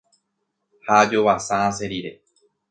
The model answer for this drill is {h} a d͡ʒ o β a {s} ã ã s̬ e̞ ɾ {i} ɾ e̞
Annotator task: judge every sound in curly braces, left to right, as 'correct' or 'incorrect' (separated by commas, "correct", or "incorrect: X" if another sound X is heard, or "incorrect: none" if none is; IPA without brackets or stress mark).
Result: correct, correct, correct